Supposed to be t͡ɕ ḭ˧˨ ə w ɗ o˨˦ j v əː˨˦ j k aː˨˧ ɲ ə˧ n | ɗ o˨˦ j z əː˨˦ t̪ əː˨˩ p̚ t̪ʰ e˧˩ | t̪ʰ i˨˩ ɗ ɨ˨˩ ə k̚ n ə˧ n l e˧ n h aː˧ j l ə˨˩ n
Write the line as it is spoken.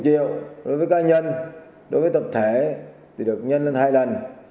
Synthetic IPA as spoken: t͡ɕ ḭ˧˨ ə w ɗ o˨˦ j v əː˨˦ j k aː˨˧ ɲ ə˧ n | ɗ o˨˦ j v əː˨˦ t̪ ə˨˩ p̚ t̪ʰ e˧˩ | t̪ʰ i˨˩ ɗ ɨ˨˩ ə k̚ ɲ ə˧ n l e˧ n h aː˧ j l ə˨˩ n